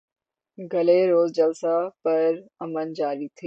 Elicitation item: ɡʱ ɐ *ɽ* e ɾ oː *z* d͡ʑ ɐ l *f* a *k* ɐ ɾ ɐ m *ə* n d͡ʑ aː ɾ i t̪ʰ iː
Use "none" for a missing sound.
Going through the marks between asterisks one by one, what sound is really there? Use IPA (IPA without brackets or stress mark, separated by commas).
l, z, s, p, ə